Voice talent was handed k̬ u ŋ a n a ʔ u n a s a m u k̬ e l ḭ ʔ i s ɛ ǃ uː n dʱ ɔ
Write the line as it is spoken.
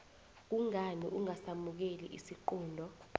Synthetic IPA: k̬ u ŋ a n i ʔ u ŋ a s a m u k̬ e l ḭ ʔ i s i ǃ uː n dʱ ɔ